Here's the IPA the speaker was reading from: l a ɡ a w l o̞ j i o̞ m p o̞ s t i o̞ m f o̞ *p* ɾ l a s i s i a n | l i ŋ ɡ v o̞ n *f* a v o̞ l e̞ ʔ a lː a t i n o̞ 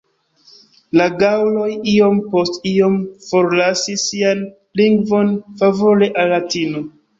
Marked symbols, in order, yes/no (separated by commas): no, yes